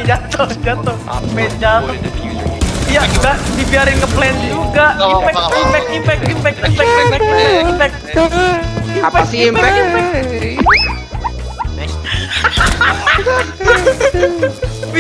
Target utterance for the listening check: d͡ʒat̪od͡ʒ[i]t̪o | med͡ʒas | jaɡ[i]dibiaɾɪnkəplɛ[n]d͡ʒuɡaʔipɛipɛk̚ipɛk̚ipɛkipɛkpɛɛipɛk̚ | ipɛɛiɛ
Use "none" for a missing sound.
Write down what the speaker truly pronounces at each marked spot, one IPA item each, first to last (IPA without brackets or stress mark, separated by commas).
a, a, n